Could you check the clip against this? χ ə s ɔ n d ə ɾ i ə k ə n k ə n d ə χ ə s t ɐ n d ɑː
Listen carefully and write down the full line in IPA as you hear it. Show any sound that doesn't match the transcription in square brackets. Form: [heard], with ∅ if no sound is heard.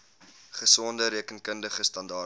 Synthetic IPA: χ ə s ɔ n d ə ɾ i ə k ə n k ə n d ə χ ə s t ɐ n d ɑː